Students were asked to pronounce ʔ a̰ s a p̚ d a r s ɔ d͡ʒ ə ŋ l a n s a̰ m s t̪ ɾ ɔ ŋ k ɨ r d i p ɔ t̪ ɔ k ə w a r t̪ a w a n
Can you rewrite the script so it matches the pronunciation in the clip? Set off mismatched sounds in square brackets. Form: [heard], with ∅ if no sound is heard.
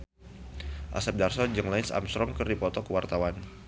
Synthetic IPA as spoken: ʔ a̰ s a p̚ d a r s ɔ d͡ʒ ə ŋ l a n s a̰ m s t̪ ɾ ɔ ŋ k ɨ r d i p ɔ t̪ ɔ k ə w a r t̪ a w a n